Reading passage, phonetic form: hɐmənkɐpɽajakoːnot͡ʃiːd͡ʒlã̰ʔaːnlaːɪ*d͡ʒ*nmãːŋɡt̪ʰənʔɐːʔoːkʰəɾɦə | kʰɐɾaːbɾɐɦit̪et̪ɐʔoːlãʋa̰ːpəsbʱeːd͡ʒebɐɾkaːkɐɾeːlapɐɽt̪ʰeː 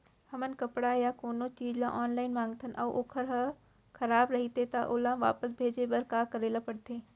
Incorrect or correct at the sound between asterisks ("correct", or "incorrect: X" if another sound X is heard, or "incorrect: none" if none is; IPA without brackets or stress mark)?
incorrect: none